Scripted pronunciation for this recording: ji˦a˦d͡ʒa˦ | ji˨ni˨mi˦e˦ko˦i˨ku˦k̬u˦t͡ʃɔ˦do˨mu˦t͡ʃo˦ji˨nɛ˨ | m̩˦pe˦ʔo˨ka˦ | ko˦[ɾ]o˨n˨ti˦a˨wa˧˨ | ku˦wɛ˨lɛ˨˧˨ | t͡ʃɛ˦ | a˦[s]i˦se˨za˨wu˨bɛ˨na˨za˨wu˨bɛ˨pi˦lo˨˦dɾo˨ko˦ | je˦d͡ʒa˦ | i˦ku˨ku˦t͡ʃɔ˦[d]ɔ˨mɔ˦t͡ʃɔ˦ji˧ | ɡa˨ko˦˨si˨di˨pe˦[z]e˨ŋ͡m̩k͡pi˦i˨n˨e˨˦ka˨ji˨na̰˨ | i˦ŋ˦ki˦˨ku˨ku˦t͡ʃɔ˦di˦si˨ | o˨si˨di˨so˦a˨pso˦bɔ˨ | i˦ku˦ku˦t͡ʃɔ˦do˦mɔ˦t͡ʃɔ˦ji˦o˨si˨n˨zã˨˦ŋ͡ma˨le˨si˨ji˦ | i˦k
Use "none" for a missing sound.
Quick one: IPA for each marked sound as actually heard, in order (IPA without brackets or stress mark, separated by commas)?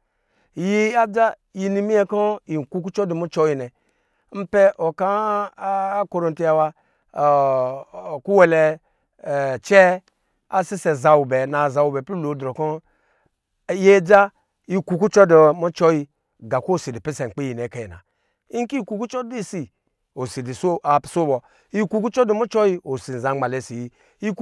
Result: ɾ, s, d, s